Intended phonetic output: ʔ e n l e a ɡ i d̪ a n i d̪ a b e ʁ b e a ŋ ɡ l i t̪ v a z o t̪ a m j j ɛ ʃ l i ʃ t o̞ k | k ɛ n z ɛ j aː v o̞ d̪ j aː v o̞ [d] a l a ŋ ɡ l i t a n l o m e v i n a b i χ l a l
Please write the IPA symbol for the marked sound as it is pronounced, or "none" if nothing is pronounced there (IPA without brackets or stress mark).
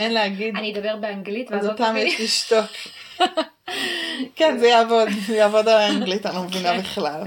d